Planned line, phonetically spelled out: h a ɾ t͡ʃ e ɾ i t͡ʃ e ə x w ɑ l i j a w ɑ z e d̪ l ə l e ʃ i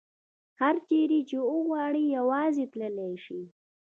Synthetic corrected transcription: h a ɾ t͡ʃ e ɾ i t͡ʃ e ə ɣ w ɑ ɽ i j a w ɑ z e t̪ l ə l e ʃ i